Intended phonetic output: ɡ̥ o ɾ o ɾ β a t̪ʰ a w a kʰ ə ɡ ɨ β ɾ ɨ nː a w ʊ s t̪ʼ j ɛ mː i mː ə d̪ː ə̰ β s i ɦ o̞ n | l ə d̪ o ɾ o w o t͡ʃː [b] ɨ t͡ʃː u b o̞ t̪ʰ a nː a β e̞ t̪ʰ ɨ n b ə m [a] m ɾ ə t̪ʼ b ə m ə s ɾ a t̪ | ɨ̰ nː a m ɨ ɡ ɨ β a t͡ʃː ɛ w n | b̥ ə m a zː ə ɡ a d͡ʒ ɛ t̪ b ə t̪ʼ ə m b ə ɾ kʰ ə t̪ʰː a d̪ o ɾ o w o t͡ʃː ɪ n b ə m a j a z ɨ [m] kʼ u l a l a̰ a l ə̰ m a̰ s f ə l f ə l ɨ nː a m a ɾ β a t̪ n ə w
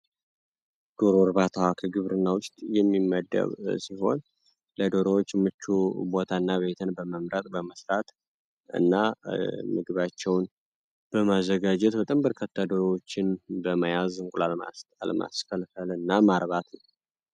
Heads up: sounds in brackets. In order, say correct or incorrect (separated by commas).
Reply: incorrect, incorrect, incorrect